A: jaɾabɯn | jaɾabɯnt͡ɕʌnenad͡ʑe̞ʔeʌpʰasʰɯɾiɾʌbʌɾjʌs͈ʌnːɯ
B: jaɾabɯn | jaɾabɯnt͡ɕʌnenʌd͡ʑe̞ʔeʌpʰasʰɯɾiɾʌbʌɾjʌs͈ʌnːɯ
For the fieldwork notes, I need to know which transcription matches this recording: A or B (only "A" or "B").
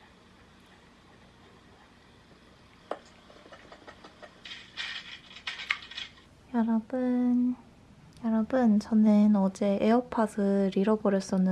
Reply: B